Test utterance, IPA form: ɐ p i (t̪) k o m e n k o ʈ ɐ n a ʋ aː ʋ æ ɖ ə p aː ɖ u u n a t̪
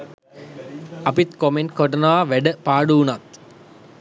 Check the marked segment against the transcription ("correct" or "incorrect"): correct